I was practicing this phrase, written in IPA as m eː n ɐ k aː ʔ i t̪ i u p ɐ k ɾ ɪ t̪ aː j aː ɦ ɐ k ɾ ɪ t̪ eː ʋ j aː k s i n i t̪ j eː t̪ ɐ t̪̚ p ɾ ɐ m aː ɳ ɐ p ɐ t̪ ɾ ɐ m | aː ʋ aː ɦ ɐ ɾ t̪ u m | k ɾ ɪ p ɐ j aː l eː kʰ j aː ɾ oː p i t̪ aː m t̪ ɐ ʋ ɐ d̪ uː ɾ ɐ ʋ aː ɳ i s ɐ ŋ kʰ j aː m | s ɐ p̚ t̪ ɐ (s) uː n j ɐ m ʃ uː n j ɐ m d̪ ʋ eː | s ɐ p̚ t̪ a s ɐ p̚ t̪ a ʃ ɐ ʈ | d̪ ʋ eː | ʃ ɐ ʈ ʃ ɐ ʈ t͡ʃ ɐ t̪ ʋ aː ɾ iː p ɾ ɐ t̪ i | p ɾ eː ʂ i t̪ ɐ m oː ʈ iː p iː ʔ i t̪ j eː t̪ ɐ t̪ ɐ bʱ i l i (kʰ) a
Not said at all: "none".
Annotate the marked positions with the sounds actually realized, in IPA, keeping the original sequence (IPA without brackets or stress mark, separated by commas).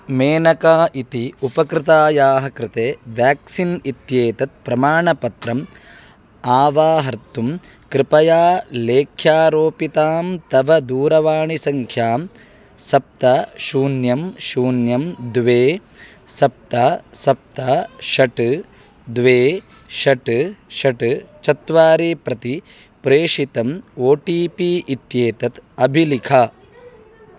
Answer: ʃ, kʰ